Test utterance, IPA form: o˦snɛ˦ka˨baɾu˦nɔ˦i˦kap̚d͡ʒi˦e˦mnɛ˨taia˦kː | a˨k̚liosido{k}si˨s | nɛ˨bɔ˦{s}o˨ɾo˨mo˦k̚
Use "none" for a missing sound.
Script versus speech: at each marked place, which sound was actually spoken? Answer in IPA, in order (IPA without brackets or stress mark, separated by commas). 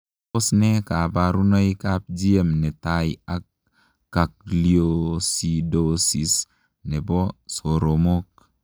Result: none, s